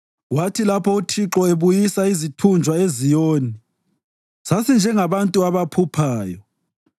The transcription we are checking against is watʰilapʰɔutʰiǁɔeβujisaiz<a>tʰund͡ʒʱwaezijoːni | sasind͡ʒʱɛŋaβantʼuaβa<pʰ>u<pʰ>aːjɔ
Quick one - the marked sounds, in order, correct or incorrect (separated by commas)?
incorrect, correct, correct